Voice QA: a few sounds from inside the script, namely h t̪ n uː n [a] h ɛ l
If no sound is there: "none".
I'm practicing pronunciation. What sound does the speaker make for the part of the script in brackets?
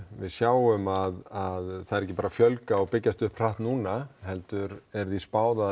a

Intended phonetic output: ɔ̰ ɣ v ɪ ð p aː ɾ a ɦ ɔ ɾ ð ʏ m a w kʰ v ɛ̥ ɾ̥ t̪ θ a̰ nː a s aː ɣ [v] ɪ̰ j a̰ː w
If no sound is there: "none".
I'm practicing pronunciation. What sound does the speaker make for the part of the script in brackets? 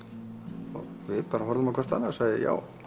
ð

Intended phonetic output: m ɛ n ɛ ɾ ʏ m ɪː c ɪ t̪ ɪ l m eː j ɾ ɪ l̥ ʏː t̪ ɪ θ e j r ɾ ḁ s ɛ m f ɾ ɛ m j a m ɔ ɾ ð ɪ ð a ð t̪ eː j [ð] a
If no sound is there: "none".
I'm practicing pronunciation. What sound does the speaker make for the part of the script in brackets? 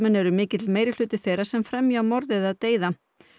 ð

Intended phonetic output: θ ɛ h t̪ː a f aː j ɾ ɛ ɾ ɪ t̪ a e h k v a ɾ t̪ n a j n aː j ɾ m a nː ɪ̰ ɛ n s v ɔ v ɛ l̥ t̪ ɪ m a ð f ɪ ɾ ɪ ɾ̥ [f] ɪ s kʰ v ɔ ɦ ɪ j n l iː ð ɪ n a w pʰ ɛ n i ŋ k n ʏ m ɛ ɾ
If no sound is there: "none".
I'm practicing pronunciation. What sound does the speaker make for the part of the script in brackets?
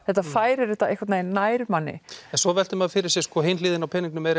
s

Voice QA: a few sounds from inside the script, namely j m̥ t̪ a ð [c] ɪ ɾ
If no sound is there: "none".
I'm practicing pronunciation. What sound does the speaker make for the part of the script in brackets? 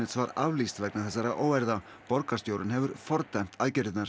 c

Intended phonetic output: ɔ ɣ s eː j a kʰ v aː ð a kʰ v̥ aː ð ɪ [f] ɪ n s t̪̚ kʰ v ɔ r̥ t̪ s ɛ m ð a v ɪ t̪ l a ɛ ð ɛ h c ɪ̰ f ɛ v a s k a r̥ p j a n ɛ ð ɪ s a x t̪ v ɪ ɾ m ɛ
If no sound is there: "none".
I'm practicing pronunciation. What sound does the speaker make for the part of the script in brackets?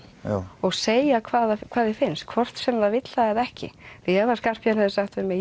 f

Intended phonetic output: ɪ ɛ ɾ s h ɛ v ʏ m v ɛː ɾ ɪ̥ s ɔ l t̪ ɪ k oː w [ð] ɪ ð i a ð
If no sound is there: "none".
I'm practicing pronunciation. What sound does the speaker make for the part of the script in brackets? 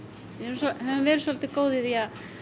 ð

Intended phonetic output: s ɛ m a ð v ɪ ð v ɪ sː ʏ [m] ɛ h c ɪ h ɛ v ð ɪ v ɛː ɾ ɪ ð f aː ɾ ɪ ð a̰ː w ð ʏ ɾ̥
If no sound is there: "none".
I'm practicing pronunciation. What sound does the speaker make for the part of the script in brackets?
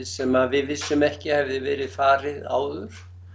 m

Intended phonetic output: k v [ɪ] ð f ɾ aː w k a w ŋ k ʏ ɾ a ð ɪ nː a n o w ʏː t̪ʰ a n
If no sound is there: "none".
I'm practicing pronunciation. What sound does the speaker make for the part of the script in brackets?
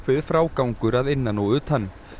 ɪ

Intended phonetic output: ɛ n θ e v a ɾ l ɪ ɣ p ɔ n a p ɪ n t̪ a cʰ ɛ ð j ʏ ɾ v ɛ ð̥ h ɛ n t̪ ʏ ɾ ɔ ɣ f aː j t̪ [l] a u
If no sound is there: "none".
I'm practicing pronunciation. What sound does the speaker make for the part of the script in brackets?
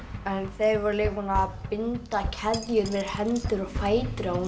ɾ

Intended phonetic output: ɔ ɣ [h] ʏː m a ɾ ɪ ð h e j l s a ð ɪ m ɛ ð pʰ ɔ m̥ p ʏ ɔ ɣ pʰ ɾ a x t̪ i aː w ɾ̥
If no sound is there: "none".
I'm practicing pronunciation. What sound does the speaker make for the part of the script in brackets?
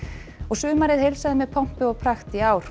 s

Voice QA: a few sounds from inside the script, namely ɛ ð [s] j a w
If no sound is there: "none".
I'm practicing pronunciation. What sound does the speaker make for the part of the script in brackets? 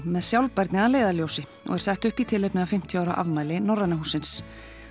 s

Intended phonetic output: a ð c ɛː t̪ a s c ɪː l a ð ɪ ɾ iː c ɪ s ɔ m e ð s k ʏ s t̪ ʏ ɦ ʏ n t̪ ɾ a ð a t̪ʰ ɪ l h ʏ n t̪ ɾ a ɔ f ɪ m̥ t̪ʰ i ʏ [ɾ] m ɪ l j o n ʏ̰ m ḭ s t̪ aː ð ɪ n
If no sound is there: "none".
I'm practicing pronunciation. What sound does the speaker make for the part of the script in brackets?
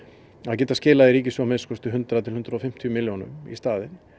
none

